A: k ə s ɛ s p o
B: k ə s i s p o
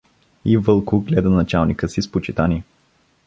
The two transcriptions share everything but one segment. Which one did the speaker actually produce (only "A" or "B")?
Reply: B